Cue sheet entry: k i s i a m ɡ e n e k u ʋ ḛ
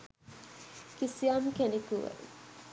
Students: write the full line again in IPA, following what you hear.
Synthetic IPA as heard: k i s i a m k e n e k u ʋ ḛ